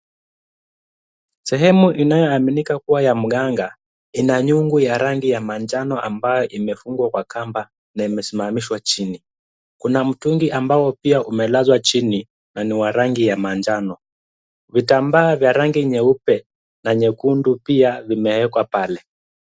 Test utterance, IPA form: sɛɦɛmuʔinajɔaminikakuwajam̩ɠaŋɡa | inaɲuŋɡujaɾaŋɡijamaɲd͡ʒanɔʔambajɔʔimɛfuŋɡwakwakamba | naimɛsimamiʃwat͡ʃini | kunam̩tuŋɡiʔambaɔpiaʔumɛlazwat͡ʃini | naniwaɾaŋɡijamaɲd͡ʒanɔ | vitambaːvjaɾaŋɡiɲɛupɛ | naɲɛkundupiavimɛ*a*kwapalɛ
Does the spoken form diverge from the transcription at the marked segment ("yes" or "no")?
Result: yes